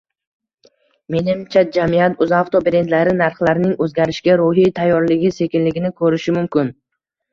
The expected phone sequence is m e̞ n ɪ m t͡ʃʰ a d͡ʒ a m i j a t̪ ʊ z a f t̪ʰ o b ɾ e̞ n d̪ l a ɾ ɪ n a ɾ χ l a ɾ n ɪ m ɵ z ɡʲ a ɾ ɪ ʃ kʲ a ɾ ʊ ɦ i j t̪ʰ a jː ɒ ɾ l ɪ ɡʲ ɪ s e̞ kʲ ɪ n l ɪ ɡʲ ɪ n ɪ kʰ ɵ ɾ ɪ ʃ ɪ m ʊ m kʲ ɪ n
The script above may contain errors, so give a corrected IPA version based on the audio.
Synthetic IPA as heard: m e̞ n ɪ m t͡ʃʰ a d͡ʒ a m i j a t̪ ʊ z a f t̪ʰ o b ɾ e̞ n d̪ l a ɾ ɪ n a ɾ χ l a ɾ n ɪ ŋ ɵ z ɡʲ a ɾ ɪ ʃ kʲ a ɾ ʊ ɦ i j t̪ʰ a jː ɒ ɾ l ɪ ɡʲ ɪ s e̞ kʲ ɪ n l ɪ ɡʲ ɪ n ɪ kʰ ɵ ɾ ɪ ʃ ɪ m ʊ m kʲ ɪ n

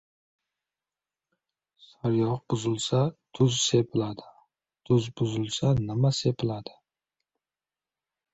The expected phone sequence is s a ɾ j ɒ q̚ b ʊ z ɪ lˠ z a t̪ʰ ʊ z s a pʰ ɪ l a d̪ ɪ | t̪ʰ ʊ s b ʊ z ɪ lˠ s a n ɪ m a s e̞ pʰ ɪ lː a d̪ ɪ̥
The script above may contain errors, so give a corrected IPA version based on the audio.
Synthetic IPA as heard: s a ɾ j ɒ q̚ b ʊ z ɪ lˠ s a t̪ʰ ʊ z s e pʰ ɪ l a d̪ ɪ | t̪ʰ ʊ z b ʊ z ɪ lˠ s a n ɪ m a s e̞ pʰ ɪ l a d̪ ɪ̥

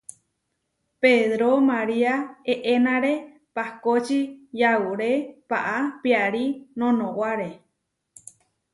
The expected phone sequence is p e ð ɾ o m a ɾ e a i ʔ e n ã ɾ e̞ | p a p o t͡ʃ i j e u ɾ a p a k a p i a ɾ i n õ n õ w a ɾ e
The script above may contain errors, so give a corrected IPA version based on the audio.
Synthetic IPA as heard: p e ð ɾ o m a ɾ i a e ʔ e n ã ɾ e̞ | p a k o t͡ʃ i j a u ɾ e p a ʔ a p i a ɾ i n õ n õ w a ɾ e

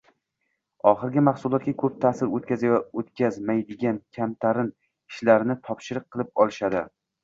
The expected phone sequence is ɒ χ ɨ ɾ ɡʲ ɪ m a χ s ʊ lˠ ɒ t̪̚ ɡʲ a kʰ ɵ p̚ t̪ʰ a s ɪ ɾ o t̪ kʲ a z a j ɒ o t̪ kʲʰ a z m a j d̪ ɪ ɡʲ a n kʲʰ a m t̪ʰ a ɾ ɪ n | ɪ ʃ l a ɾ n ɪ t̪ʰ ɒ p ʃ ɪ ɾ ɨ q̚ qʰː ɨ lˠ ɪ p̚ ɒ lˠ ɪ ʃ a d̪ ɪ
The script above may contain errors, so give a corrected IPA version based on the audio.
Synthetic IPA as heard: ɒ χ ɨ ɾ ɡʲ ɪ m a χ s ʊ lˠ ɒ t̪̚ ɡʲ a kʰ ɵ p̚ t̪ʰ a s ɪ ɾ o t̪ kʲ a z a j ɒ o t̪ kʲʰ a z m a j d̪ ɪ ɡʲ a n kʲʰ a m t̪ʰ a ɾ ɪ n | ɪ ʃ l a ɾ n ɪ t̪ʰ ɒ p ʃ ɪ ɾ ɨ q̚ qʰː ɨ lˠ ɪ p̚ ɒ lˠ ɪ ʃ a d̪ ɪ

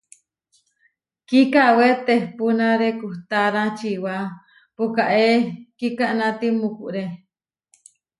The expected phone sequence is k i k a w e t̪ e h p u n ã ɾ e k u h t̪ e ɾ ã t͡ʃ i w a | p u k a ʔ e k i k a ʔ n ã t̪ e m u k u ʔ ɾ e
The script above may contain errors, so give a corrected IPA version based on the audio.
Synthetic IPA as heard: k i k a w e t̪ e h p u n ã ɾ e k u h t̪ a ɾ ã t͡ʃ i w a | p u k a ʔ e k i k a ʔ n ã t̪ i m u k u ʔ ɾ e

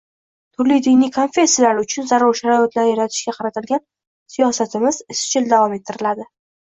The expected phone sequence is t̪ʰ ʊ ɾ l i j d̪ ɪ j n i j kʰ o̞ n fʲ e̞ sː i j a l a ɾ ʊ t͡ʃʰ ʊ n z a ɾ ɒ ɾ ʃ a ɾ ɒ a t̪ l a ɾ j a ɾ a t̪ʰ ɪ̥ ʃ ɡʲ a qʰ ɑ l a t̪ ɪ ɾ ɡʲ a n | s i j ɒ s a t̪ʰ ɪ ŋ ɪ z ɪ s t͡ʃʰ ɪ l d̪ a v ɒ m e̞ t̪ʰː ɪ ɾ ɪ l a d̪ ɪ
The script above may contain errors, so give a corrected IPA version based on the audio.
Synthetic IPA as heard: t̪ʰ ʊ ɾ l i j d̪ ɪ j n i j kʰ o̞ n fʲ e̞ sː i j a l a ɾ ʊ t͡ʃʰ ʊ n z a ɾ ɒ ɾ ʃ a ɾ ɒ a t̪ l a ɾ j a ɾ a t̪ʰ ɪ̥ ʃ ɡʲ a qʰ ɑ ɾ a t̪ ɪ l ɡʲ a n | s i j ɒ s a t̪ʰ ɪ m ɪ z ɪ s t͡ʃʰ ɪ l d̪ a v ɒ m e̞ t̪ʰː ɪ ɾ ɪ l a d̪ ɪ

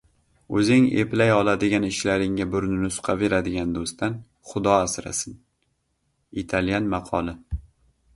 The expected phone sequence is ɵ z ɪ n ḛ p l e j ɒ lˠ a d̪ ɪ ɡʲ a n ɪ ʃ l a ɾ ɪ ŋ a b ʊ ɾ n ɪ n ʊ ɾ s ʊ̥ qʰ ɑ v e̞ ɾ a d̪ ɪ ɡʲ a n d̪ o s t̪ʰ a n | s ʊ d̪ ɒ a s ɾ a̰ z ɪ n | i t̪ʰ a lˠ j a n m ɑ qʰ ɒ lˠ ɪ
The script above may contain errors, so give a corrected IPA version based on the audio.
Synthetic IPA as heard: ɵ z ɪ ŋ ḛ p l a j ɒ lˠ a d̪ ɪ ɡʲ a n ɪ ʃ l a ɾ ɪ ŋ a b ʊ ɾ n ɪ n ʊ s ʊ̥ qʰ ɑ v e̞ ɾ a d̪ ɪ ɡʲ a n d̪ o s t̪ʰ a n | χ ʊ d̪ ɒ a s ɾ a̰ s ɪ n | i t̪ʰ a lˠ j a n m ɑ qʰ ɒ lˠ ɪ

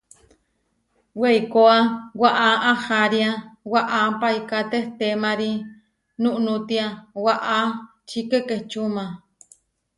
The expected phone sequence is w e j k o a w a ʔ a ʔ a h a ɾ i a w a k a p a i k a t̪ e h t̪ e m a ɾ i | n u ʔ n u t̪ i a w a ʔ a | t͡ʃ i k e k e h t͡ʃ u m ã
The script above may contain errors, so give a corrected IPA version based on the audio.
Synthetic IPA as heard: w e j k o a w a ʔ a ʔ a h a ɾ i a w a ʔ a p a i k a t̪ e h t̪ e m a ɾ i | n u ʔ n u t̪ i a w a ʔ a | t͡ʃ i k e k e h t͡ʃ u m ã

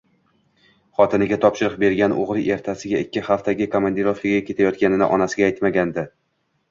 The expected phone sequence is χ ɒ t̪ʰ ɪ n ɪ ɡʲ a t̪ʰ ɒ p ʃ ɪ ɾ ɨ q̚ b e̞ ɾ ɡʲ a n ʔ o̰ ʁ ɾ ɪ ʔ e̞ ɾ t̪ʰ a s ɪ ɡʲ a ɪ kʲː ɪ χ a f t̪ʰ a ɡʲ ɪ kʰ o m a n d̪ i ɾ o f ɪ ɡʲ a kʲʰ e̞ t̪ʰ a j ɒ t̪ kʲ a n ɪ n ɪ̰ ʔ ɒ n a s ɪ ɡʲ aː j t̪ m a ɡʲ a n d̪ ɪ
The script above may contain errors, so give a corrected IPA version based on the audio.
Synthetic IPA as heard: χ ɒ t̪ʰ ɪ n ɪ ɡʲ a t̪ʰ ɒ p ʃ ɪ ɾ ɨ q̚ b e̞ ɾ ɡʲ a n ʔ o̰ ʁ ɾ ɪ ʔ e̞ ɾ t̪ʰ a s ɪ ɡʲ a ɪ kʲː ɪ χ a f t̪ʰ a ɡʲ ɪ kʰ o m a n d̪ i ɾ o f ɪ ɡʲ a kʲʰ e̞ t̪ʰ a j ɒ t̪ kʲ a n ɪ n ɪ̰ ʔ ɒ n a s ɪ ɡʲ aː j t̪ m a ɡʲ a n d̪ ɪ

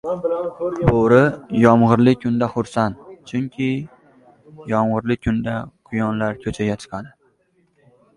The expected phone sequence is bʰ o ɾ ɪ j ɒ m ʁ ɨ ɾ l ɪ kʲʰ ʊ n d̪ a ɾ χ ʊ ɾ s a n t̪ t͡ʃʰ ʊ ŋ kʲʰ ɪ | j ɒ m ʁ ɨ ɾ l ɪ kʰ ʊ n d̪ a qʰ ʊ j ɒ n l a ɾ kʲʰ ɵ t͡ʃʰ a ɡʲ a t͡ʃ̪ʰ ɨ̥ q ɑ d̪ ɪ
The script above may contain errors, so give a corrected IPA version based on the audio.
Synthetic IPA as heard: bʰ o ɾ ɪ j ɒ m ʁ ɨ ɾ l ɪ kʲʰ ʊ n d̪ a χ ʊ ɾ s a n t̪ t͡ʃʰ ʊ ŋ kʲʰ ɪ | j ɒ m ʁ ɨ ɾ l ɪ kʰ ʊ n d̪ a qʰ ʊ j ɒ n l a ɾ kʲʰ ɵ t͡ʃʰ a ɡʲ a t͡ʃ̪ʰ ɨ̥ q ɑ d̪ ɪ

